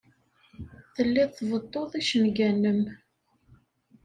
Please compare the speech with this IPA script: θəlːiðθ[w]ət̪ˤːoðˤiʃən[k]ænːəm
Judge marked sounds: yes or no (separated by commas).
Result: no, no